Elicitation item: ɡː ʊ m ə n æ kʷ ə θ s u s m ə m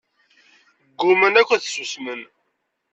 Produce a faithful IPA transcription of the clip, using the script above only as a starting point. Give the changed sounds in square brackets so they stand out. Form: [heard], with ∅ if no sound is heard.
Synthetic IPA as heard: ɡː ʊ m ə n æ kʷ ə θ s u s m ə [n]